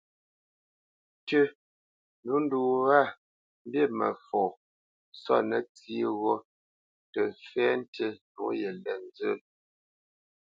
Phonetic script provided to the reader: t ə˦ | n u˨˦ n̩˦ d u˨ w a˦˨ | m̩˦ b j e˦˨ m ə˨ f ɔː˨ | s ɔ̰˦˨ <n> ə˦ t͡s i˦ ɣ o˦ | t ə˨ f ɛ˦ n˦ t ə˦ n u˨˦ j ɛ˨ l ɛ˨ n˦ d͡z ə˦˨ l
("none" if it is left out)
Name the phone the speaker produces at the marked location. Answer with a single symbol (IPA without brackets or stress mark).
n